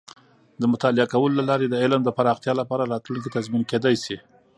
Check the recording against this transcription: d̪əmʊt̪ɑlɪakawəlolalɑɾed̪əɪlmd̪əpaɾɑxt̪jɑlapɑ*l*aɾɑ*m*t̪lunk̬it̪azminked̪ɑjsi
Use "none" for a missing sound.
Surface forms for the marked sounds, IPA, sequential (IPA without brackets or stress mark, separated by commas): ɾ, none